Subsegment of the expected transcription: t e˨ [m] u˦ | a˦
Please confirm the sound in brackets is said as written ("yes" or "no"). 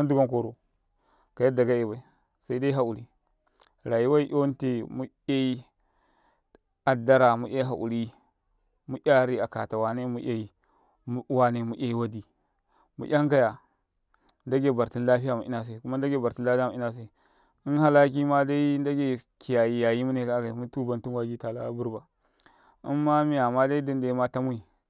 yes